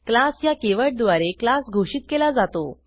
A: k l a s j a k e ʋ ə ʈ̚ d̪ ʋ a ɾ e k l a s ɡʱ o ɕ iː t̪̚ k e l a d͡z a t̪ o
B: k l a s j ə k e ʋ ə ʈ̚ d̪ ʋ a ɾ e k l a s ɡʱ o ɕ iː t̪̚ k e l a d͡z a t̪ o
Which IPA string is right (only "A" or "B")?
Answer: A